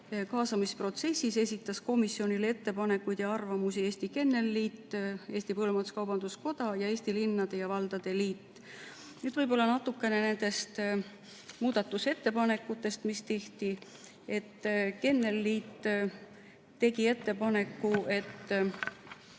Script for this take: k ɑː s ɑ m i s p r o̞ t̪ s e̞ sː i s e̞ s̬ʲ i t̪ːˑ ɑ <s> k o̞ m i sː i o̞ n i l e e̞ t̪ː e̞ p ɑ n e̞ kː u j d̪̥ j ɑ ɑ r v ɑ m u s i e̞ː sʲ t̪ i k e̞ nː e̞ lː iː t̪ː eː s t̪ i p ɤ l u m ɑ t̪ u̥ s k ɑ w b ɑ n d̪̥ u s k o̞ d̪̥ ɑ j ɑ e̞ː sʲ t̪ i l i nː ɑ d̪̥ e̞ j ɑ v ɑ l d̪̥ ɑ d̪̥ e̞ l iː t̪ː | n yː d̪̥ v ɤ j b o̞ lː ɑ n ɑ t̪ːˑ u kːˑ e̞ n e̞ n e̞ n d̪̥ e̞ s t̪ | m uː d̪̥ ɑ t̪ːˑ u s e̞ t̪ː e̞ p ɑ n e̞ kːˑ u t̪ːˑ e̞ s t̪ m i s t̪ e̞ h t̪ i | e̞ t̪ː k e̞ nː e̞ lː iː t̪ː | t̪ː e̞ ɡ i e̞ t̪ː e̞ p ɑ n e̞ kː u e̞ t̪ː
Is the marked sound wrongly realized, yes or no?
no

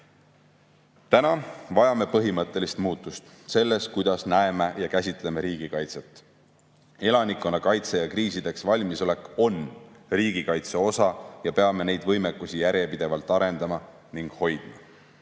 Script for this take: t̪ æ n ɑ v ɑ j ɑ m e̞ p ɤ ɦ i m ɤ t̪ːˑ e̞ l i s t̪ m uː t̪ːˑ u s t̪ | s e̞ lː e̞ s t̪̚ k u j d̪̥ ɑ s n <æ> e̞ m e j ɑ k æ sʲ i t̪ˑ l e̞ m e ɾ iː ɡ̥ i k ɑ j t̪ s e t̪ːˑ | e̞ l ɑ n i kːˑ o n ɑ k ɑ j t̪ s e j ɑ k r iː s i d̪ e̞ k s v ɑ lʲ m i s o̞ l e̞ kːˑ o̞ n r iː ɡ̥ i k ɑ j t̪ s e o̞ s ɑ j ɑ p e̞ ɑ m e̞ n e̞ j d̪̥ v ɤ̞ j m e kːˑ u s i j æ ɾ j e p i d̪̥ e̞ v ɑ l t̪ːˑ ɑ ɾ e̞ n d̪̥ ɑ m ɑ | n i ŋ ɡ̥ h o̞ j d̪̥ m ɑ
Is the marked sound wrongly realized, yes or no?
no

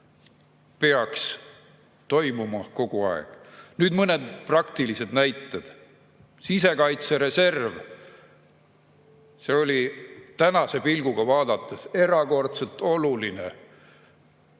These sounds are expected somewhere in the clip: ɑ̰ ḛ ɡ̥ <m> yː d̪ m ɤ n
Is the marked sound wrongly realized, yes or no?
yes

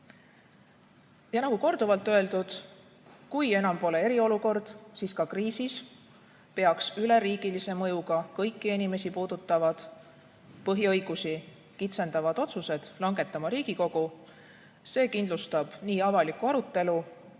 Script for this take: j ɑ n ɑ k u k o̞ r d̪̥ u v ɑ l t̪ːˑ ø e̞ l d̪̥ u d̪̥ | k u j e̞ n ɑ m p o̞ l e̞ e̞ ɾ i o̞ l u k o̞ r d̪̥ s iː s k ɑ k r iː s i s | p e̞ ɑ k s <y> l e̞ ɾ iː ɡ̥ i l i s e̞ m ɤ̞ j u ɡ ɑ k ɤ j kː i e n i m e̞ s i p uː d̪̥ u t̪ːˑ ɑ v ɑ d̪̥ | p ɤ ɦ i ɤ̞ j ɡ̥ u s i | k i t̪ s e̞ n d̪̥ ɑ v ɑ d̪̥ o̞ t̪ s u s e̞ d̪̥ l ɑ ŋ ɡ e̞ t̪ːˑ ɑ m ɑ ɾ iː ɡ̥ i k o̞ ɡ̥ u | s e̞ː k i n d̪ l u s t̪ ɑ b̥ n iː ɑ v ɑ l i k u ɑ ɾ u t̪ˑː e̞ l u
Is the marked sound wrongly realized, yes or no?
no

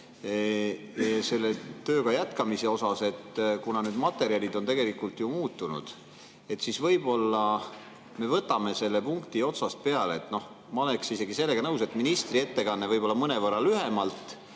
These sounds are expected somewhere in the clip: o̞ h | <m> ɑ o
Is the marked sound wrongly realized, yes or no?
no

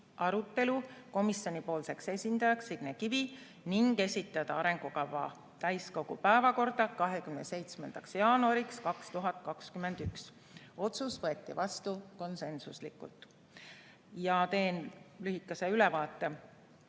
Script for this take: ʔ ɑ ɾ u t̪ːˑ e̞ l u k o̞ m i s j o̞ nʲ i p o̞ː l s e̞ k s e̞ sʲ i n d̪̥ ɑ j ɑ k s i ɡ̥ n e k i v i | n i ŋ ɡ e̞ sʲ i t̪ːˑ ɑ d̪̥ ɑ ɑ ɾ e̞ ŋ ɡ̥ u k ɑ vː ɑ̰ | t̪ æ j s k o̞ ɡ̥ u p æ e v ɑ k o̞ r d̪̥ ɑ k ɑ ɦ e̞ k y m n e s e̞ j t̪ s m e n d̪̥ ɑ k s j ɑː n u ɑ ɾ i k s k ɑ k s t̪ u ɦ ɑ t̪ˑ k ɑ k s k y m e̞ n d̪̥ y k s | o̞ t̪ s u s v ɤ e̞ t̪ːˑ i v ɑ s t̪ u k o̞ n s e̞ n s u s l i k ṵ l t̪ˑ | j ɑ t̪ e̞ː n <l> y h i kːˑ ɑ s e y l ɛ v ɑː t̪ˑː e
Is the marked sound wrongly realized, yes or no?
no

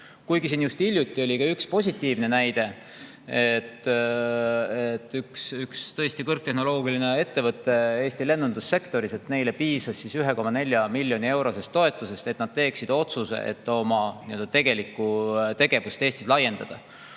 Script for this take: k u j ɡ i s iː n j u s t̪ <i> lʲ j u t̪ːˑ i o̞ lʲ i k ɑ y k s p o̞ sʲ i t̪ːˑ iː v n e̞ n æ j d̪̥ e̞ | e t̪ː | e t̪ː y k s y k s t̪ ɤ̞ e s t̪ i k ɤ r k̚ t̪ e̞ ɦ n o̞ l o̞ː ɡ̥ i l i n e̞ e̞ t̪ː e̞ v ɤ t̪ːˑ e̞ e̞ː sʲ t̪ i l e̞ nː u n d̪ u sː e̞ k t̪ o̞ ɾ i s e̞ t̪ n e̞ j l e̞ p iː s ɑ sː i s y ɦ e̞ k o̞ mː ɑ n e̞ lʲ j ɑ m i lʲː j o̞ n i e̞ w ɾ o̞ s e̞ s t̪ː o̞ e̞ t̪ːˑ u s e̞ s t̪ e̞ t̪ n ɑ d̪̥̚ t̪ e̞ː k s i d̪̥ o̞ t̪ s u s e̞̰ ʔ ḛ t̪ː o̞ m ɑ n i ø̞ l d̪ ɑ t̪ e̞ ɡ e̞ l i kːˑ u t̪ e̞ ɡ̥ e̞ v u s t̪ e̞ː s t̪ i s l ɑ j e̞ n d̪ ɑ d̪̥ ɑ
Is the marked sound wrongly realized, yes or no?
no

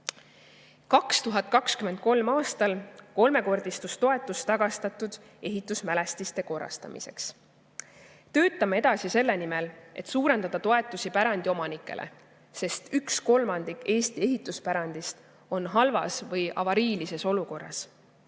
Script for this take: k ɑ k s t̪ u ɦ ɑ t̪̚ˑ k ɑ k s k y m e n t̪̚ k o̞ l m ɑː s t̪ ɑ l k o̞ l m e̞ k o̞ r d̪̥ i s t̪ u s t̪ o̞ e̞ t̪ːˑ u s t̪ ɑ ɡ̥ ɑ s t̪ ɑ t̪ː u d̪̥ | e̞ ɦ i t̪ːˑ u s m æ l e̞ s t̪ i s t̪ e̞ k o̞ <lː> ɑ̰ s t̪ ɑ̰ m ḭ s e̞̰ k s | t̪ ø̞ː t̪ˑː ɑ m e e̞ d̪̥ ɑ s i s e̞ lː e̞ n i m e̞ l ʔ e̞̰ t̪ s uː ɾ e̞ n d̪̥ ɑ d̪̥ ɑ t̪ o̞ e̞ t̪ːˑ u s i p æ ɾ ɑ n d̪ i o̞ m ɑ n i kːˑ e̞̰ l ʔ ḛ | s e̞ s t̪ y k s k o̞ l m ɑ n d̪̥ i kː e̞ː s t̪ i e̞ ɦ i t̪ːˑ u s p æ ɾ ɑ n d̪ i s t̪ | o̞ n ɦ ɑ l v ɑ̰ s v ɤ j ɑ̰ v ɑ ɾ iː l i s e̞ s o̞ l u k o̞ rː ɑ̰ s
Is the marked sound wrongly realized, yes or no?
yes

